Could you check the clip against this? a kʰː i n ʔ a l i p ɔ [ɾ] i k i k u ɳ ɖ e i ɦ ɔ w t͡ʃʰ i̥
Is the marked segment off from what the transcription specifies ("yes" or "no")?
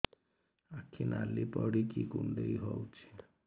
yes